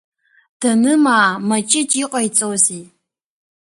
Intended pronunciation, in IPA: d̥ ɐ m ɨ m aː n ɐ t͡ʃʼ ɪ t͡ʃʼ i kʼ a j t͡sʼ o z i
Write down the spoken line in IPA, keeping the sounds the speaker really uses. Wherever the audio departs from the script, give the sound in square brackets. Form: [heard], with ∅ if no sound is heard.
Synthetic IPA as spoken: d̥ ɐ [n] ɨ m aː [m] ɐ t͡ʃʼ ɪ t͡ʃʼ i [qʼ] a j t͡sʼ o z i